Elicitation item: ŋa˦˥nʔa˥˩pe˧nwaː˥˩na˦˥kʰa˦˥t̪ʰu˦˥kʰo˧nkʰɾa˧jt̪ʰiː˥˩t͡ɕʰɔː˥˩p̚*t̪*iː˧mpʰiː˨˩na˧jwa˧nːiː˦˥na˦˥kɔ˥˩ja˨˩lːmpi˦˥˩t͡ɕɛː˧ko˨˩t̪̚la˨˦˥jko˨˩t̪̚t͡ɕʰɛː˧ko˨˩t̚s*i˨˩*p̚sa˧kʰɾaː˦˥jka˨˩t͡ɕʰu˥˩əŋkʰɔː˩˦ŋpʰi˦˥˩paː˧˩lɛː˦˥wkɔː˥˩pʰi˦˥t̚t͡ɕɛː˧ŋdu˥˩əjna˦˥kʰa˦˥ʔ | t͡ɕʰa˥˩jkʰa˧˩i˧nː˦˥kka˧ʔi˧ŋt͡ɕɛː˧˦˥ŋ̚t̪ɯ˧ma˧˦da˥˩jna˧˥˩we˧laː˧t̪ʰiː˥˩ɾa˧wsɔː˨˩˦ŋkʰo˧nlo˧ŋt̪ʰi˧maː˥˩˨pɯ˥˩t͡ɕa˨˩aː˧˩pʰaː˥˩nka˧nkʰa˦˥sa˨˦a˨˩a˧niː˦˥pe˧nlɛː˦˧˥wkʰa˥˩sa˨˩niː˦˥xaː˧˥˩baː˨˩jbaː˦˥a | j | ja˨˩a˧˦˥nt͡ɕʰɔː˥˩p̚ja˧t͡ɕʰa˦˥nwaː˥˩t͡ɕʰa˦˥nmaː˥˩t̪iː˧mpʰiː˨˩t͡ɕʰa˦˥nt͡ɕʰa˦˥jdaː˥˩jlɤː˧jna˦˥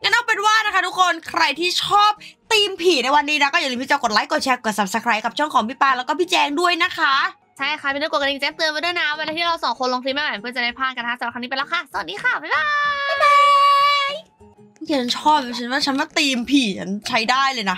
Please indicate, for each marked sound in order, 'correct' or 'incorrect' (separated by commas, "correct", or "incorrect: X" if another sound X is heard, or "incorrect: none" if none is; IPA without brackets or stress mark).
correct, incorrect: a˨˩